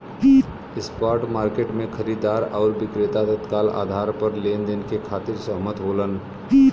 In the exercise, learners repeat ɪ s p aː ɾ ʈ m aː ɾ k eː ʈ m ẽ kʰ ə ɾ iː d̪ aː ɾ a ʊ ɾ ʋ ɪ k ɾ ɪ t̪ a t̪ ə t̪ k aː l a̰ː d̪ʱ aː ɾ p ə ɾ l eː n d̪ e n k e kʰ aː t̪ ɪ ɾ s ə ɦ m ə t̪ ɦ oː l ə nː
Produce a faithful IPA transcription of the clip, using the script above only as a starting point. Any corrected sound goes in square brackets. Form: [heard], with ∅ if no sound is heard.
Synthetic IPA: ɪ s p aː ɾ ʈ m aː ɾ k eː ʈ m ẽ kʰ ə ɾ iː d̪ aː ɾ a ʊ ɾ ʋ ɪ k ɾ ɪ t̪ a t̪ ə t̪ k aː l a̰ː d̪ʱ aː ɾ p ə ɾ l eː n d̪ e n k e kʰ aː t̪ ɪ ɾ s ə ɦ m ə t̪ ɦ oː l ə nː